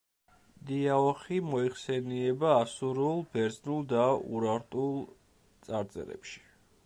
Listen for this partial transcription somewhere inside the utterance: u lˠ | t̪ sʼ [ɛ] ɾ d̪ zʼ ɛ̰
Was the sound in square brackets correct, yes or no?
no